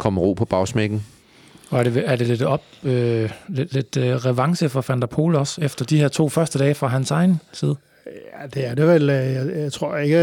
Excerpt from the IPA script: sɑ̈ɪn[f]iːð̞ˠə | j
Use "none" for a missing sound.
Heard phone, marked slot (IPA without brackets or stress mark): s